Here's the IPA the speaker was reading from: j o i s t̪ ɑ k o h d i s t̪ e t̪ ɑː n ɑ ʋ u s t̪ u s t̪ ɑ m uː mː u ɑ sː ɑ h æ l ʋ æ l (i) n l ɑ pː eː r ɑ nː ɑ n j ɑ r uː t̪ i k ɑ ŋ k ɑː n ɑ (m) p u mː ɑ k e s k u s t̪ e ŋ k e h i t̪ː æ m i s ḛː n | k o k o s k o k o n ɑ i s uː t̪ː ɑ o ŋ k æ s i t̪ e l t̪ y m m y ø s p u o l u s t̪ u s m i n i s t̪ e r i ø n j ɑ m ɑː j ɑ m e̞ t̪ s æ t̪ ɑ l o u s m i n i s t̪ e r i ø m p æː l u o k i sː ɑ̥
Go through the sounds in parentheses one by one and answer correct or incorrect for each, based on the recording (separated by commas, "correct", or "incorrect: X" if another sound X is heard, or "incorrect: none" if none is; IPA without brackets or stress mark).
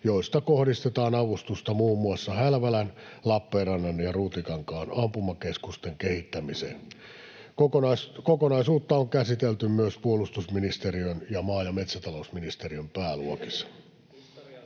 incorrect: æ, correct